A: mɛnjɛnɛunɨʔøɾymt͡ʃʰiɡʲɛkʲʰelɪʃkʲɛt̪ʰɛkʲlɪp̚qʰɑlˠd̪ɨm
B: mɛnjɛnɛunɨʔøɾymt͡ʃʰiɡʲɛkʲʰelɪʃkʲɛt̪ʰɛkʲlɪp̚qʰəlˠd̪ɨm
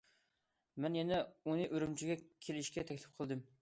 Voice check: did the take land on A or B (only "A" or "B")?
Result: B